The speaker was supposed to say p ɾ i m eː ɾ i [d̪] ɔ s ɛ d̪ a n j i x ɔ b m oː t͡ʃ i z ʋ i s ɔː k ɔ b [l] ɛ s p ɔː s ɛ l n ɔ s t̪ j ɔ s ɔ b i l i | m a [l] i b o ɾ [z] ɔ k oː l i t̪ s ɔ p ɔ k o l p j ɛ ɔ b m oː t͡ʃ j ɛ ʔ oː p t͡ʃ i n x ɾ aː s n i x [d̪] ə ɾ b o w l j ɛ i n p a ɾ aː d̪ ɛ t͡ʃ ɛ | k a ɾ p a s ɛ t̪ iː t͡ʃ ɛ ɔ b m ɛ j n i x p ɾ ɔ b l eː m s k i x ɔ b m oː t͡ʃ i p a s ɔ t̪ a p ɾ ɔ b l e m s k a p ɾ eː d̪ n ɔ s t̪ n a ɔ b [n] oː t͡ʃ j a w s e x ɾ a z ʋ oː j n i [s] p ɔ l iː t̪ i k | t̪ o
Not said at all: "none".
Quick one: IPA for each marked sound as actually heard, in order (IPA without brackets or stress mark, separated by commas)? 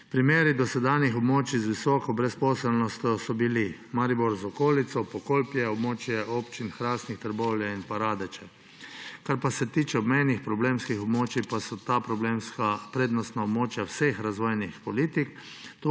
d̪, ɾ, ɾ, z, t̪, m, x